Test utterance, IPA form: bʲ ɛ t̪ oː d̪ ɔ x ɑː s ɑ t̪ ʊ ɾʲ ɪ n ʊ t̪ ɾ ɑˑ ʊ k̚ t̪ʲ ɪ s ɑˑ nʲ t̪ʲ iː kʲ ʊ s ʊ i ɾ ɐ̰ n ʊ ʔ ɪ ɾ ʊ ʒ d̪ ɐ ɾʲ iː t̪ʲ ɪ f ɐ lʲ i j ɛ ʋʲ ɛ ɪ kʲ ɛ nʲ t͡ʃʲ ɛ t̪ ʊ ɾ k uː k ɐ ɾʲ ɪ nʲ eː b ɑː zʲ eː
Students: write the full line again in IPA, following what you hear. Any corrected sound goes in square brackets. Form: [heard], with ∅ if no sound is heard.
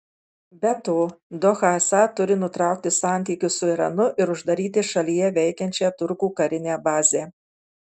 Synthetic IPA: bʲ ɛ t̪ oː d̪ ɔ x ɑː s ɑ t̪ ʊ ɾʲ ɪ n ʊ t̪ ɾ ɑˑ ʊ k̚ t̪ʲ ɪ s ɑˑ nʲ t̪ʲ iː kʲ ʊ s ʊ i ɾ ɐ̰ n ʊ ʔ ɪ ɾ ʊ ʒ d̪ ɐ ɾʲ iː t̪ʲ ɪ [ʃ] ɐ lʲ i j ɛ ʋʲ ɛ ɪ kʲ ɛ nʲ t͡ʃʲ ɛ t̪ ʊ ɾ k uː k ɐ ɾʲ ɪ nʲ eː b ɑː zʲ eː

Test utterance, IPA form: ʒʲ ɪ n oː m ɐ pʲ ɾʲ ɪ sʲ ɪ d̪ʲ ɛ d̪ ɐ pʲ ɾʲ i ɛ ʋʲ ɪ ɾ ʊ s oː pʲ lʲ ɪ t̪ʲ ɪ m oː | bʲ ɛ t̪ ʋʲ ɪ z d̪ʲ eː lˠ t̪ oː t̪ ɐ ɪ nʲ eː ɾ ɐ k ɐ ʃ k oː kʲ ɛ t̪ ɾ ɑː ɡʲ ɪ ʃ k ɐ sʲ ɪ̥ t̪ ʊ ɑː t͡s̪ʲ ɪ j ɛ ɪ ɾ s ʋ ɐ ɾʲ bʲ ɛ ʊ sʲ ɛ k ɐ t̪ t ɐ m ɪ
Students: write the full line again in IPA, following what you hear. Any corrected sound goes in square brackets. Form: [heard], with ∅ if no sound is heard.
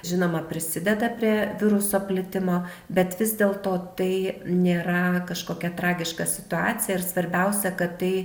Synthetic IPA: ʒʲ ɪ n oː m ɐ pʲ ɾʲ ɪ sʲ ɪ d̪ʲ ɛ d̪ ɐ pʲ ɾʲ i ɛ ʋʲ ɪ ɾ ʊ s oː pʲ lʲ ɪ t̪ʲ ɪ m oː | bʲ ɛ t̪ ʋʲ ɪ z d̪ʲ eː lˠ t̪ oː t̪ ɐ ɪ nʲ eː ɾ ɐ k ɐ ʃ k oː kʲ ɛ t̪ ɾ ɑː ɡʲ ɪ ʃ k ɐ sʲ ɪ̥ t̪ ʊ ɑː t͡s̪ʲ ɪ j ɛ ɪ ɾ s ʋ ɐ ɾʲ bʲ ɛ ʊ sʲ ɛ k ɐ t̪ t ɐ [∅] ɪ

